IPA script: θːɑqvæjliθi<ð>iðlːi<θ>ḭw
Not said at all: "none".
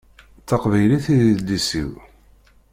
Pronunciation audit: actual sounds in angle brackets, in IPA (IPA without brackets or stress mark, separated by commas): ð, s